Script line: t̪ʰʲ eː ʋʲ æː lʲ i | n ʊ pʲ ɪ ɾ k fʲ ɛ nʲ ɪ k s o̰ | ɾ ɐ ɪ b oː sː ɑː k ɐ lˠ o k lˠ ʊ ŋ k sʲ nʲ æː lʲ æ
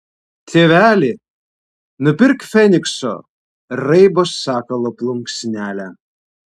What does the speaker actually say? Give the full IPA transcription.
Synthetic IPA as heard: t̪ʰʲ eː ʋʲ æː lʲ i | n ʊ pʲ ɪ ɾ k fʲ ɛ nʲ ɪ k s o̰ | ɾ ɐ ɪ b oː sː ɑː k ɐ lˠ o p lˠ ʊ ŋ k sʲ nʲ æː lʲ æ